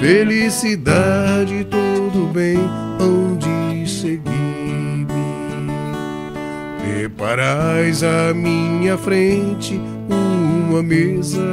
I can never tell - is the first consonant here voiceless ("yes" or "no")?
yes